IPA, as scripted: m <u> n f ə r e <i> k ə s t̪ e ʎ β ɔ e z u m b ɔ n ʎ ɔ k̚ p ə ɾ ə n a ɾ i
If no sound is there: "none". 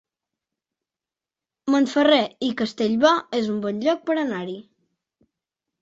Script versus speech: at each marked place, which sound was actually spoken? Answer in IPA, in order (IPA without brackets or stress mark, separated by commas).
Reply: o, i